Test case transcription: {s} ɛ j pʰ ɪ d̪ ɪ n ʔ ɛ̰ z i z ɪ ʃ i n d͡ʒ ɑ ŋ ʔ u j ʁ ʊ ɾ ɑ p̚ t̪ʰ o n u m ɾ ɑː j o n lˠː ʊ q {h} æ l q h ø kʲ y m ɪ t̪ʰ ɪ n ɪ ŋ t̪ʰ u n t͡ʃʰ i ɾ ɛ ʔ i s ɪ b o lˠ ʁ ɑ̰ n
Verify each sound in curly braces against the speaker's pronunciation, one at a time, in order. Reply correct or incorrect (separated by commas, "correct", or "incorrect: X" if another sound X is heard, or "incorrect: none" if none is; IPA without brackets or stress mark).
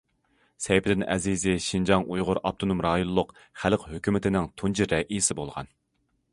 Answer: correct, incorrect: χ